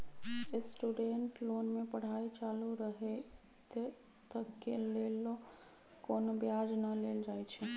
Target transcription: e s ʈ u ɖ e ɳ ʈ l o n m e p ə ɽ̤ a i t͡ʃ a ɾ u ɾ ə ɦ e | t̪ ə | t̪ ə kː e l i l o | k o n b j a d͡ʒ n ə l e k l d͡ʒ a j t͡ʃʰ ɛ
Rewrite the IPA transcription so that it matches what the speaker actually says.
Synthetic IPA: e s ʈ u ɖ e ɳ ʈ l o n m e p ə ɽ̤ a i t͡ʃ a l u ɾ ə ɦ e | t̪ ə | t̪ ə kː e l e l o | k o n b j a d͡ʒ n ə l e l d͡ʒ a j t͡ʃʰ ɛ